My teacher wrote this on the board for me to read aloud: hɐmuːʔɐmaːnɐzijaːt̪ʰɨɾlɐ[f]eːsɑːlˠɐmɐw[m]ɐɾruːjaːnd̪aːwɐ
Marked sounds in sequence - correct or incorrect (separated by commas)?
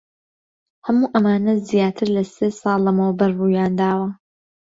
incorrect, incorrect